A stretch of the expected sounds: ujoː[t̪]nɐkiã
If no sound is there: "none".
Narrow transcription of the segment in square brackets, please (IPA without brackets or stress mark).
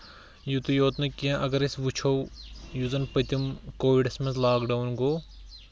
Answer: t̪